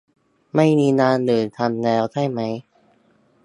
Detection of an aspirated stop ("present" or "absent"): present